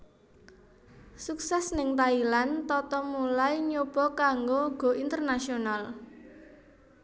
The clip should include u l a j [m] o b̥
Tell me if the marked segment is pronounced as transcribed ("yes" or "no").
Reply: no